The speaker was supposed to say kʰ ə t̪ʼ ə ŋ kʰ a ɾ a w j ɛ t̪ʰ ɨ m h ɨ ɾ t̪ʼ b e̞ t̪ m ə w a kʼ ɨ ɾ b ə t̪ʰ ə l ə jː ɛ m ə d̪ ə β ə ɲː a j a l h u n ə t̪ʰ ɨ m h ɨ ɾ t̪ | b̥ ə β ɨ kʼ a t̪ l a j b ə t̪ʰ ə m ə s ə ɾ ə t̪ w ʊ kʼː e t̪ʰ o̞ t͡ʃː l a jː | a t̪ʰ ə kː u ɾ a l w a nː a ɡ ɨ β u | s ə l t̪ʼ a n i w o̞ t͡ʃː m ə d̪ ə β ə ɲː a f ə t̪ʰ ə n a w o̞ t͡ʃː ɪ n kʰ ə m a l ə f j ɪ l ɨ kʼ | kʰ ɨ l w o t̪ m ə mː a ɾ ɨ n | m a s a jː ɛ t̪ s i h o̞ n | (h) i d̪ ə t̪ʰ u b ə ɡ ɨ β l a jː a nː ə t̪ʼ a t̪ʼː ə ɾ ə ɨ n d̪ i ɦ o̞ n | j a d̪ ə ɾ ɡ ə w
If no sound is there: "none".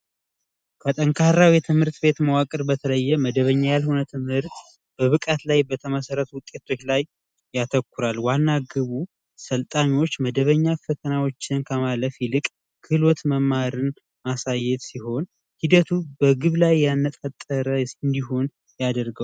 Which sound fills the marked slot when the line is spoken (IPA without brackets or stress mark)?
h